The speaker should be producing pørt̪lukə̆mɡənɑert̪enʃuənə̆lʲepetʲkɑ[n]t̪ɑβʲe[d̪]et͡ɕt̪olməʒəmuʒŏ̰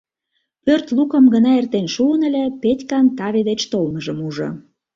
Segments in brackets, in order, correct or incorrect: correct, correct

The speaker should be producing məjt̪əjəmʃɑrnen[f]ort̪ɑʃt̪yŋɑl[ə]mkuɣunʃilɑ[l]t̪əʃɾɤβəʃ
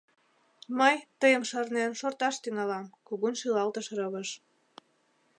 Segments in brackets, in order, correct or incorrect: incorrect, incorrect, correct

